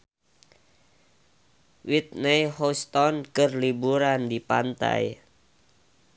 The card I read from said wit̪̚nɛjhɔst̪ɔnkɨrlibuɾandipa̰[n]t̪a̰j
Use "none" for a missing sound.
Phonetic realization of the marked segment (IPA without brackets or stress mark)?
n